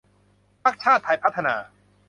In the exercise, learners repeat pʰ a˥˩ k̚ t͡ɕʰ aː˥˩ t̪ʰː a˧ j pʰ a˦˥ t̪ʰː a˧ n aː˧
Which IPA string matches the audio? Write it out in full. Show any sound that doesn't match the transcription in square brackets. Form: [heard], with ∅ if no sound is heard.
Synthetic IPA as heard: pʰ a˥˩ k̚ t͡ɕʰ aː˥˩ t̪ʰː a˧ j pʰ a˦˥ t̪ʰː a˧ n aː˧